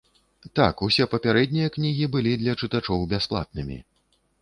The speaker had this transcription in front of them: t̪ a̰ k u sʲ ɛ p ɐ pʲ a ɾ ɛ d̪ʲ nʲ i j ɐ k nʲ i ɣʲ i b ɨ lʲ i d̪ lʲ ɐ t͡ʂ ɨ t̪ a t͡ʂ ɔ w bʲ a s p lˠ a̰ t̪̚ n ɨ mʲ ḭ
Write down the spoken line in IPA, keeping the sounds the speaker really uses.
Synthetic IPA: t̪ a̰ k u sʲ ɛ p ɐ pʲ a ɾ ɛ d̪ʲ nʲ i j ɐ k nʲ i ɣʲ i b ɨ lʲ i d̪ lʲ ɐ t͡ʂ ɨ t̪ a t͡ʂ ɔ w bʲ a s p lˠ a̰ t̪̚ n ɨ mʲ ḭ